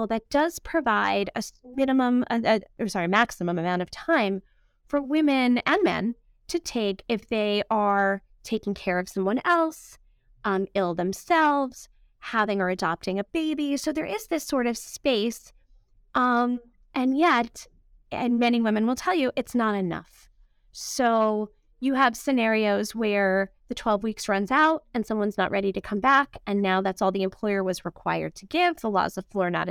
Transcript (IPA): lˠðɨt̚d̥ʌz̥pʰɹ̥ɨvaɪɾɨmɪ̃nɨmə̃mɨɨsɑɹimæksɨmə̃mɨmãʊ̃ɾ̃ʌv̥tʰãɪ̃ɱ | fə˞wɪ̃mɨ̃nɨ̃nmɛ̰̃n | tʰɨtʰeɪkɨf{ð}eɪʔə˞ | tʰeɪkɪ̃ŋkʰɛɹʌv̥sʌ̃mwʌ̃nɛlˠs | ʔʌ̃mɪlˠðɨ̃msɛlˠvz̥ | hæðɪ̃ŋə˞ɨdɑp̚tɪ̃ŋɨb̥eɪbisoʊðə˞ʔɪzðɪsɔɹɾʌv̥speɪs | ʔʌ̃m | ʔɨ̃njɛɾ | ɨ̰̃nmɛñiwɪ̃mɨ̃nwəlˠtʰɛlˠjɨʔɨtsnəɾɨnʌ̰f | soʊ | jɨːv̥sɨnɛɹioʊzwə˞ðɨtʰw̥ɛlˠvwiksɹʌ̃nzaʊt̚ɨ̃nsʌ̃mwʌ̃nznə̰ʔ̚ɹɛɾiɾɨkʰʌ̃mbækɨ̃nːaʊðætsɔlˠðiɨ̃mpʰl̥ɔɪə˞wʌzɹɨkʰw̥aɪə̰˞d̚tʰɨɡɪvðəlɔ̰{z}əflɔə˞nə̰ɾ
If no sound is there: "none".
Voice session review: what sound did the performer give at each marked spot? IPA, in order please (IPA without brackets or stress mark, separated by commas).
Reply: ð, z